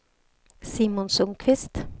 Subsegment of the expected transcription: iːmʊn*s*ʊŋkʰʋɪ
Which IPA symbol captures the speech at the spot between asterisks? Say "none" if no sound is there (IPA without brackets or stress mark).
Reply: s